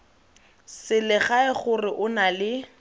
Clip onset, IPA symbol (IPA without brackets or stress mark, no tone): s